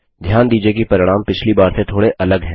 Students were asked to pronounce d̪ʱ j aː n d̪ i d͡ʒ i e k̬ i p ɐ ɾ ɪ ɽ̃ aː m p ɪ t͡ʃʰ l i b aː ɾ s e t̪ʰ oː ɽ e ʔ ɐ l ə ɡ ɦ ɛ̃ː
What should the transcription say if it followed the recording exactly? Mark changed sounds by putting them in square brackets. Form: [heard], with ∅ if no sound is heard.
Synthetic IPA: d̪ʱ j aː n d̪ [iː] d͡ʒ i e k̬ i p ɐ ɾ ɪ ɽ̃ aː m p ɪ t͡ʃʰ l i b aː ɾ s e t̪ʰ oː ɽ e ʔ ɐ l ə ɡ ɦ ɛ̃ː